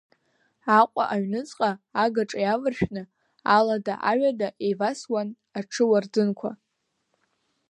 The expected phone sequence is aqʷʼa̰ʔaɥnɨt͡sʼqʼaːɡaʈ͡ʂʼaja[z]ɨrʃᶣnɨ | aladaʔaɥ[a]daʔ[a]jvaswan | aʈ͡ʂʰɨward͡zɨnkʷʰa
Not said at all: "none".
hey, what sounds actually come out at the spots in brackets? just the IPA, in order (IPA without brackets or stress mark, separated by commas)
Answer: v, a, e